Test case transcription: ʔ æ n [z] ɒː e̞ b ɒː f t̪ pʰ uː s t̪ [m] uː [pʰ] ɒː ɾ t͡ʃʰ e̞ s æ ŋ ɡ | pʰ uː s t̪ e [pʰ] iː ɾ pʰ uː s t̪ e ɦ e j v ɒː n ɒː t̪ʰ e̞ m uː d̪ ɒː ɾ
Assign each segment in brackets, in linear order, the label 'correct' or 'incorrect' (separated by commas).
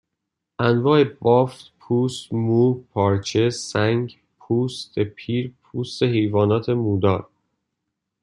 incorrect, correct, correct, correct